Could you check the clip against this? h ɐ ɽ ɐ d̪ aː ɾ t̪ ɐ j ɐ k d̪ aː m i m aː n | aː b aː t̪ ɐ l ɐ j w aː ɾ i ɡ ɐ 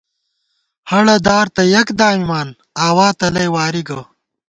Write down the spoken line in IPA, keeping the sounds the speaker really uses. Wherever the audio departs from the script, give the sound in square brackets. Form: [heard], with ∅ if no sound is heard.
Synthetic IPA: h ɐ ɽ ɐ d̪ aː ɾ t̪ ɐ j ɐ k d̪ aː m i m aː n | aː [w] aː t̪ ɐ l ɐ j w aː ɾ i ɡ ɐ